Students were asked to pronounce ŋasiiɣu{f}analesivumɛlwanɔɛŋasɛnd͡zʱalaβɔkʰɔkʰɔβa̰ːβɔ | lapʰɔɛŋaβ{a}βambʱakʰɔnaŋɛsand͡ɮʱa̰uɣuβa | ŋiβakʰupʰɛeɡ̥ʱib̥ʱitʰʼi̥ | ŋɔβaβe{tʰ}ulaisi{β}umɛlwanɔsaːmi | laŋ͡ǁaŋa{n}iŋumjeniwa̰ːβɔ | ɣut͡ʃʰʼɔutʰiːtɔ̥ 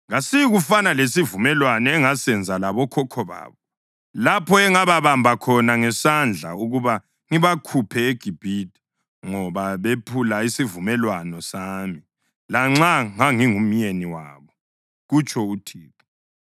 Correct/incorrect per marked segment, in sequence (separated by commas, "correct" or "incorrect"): correct, correct, incorrect, incorrect, incorrect